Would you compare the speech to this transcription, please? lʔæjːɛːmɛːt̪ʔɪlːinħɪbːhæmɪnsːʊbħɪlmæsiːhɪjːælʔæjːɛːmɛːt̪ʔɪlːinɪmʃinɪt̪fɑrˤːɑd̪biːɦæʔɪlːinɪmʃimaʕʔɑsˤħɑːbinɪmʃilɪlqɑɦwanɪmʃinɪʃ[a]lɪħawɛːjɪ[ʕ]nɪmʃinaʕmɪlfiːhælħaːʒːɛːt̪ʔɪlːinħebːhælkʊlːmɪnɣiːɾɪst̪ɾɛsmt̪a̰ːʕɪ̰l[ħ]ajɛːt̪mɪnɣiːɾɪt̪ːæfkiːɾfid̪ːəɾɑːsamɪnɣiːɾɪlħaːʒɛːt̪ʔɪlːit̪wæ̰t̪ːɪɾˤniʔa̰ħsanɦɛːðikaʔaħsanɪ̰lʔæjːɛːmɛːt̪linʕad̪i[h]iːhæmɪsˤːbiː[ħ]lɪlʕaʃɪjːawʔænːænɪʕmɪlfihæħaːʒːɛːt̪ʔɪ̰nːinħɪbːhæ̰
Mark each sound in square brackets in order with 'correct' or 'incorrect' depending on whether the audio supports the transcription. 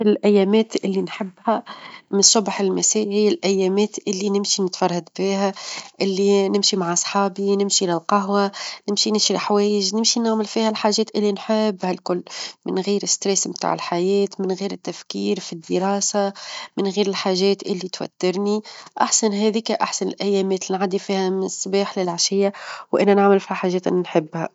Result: incorrect: i, incorrect: ʒ, correct, incorrect: f, correct

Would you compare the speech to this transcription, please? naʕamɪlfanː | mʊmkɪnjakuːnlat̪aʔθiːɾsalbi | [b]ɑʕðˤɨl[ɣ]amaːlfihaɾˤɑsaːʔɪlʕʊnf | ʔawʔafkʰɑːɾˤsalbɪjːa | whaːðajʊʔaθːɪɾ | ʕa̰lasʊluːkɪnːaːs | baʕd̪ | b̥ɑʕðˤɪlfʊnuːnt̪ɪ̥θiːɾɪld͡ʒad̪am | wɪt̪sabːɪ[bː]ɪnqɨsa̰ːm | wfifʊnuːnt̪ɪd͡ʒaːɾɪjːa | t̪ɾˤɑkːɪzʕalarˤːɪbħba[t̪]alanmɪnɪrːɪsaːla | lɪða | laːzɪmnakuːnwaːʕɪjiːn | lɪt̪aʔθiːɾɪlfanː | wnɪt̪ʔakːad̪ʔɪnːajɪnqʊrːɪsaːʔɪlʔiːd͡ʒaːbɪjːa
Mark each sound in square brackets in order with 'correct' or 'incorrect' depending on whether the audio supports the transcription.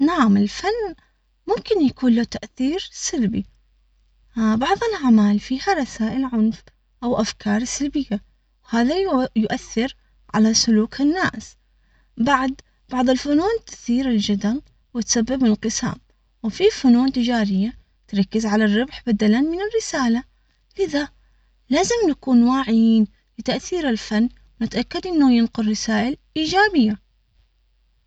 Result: correct, incorrect: ʕ, incorrect: b, incorrect: d̪

